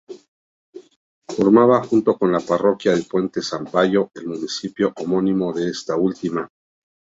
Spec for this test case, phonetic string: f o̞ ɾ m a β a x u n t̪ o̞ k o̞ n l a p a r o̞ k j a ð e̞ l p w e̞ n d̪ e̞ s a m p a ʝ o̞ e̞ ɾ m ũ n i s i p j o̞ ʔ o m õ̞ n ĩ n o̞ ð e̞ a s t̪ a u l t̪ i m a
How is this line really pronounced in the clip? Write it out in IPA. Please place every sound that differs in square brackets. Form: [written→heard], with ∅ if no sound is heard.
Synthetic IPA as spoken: f o̞ ɾ m a β a x u n t̪ o̞ k o̞ n l a p a r o̞ k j a ð e̞ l p w e̞ n [d̪→t̪] e̞ s a m p a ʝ o̞ e̞ [ɾ→l] m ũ n i s i p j o̞ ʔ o m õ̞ n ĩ [n→m] o̞ ð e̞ [a→e] s t̪ a u l t̪ i m a